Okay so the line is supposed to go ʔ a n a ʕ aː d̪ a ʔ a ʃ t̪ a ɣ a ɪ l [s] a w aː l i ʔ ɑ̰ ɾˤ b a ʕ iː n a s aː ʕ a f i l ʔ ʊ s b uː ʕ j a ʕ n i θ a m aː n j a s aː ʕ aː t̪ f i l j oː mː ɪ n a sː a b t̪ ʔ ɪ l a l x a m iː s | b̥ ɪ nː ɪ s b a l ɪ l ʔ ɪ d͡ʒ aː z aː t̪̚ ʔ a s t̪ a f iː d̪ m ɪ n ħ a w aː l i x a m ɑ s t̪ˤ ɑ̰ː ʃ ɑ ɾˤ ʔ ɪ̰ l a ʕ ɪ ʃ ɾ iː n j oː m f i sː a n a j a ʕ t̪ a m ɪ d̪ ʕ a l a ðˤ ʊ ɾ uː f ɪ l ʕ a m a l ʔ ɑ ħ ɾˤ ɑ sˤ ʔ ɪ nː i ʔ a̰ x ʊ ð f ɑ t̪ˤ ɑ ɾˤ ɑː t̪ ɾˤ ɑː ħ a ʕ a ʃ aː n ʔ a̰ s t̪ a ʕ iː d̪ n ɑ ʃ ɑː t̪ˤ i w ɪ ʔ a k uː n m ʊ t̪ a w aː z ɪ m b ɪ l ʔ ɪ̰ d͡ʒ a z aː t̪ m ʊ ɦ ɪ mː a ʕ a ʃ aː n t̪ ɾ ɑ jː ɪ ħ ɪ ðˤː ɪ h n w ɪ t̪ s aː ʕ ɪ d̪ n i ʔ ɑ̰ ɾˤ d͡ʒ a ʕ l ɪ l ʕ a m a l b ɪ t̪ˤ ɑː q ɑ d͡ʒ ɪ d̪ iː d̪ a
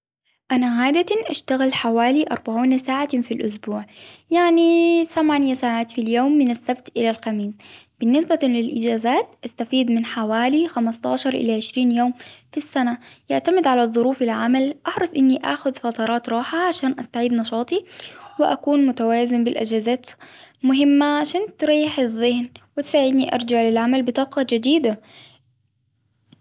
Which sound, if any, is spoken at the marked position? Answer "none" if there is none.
ħ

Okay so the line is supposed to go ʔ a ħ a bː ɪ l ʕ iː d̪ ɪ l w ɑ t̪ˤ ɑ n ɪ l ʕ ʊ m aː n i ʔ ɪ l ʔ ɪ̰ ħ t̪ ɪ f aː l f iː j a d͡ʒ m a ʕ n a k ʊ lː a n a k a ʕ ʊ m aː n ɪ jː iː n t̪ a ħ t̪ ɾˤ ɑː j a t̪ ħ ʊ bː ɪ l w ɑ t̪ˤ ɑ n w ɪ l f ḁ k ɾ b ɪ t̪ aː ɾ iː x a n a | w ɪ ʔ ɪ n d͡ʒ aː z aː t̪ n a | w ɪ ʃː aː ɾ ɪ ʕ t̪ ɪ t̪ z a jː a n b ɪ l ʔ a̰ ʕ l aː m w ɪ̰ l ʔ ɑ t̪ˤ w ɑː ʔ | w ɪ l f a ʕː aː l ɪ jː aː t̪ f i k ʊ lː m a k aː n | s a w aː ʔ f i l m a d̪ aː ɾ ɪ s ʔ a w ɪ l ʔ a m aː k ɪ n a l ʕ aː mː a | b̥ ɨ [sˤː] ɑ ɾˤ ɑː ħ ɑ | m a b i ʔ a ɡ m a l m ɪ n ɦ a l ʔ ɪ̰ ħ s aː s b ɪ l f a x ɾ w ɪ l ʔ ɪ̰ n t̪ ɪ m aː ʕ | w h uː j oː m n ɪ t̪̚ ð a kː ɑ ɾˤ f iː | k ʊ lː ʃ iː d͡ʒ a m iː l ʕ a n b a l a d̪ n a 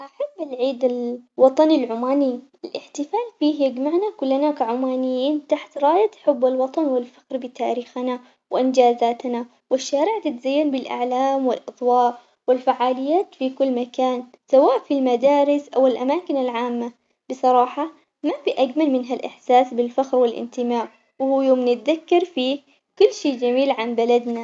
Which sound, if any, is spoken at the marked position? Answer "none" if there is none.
sˤ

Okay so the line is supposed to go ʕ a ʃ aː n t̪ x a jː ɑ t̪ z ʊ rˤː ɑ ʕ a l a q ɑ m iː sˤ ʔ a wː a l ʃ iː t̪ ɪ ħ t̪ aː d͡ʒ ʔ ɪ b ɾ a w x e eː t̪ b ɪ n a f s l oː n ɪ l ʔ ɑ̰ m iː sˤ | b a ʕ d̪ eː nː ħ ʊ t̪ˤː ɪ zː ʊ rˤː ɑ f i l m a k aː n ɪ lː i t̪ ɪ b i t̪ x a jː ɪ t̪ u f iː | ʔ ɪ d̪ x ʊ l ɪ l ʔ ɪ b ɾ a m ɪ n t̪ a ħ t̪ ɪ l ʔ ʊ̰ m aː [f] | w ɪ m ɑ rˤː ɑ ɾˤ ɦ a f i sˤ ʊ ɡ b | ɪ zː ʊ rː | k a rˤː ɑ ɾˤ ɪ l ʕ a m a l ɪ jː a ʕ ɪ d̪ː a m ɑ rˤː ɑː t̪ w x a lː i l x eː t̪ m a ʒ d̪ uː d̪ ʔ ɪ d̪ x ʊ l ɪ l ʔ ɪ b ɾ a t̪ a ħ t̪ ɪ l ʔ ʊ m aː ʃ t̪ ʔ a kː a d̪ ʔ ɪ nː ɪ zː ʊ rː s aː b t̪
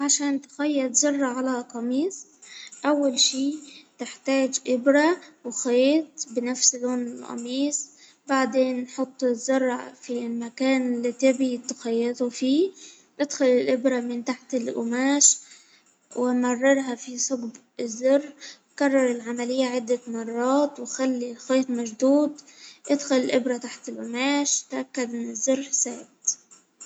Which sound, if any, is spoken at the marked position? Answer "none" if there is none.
ʃ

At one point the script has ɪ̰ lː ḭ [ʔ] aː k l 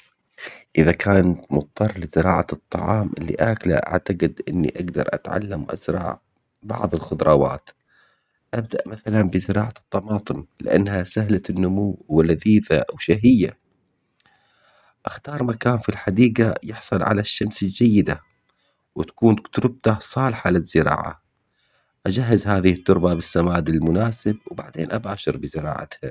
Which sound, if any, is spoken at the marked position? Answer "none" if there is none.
ʔ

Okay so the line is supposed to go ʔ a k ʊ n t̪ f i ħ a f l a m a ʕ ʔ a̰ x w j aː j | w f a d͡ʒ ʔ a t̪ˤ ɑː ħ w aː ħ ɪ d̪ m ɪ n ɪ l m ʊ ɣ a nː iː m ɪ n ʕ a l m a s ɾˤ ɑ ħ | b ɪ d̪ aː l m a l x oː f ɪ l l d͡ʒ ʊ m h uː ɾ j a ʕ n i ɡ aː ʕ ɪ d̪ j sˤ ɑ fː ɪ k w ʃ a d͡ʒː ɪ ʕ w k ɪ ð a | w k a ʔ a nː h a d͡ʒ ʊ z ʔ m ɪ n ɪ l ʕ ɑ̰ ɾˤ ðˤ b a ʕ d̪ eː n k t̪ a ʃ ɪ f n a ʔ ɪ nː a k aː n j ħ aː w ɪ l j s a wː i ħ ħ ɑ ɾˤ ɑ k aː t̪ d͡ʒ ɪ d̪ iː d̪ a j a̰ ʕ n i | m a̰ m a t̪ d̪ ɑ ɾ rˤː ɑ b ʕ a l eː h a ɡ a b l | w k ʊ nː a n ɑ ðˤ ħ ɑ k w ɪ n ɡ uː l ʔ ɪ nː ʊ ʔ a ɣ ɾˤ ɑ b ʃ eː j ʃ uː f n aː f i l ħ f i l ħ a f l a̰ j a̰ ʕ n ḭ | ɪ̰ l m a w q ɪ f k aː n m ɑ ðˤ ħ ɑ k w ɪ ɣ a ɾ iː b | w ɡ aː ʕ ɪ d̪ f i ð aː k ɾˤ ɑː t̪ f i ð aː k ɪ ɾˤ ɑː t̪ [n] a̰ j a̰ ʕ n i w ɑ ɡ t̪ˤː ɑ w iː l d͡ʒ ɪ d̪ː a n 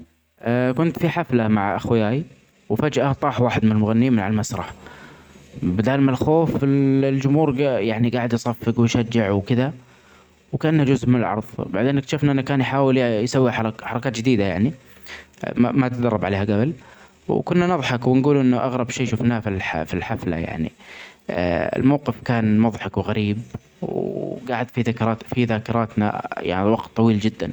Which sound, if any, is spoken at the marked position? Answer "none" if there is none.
n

